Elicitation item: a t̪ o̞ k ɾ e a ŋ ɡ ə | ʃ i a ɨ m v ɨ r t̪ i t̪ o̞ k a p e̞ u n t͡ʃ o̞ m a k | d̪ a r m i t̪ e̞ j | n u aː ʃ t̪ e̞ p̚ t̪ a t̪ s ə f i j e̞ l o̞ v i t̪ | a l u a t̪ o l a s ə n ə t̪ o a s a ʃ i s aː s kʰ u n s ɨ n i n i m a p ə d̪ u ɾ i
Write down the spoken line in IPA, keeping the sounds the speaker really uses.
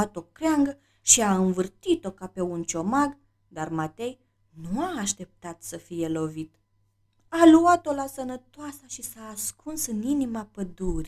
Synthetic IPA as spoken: a t̪ o̞ k ɾ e a ŋ ɡ ə | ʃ i a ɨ n v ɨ r t̪ i t̪ o̞ k a p e̞ u n t͡ʃ o̞ m a ɡ | d̪ a r m a t̪ e̞ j | n u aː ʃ t̪ e̞ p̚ t̪ a t̪ s ə f i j e̞ l o̞ v i t̪ | a l u a t̪ o l a s ə n ə t̪ o a s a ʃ i s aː s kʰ u n s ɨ n i n i m a p ə d̪ u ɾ i